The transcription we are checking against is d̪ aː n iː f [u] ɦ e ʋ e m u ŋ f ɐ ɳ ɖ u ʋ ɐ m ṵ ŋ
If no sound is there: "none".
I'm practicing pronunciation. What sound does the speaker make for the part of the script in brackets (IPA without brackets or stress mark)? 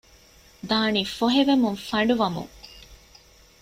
o